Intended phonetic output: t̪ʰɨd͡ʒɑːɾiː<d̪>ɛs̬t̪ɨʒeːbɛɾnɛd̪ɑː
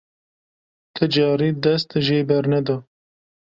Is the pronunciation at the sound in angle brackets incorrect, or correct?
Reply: correct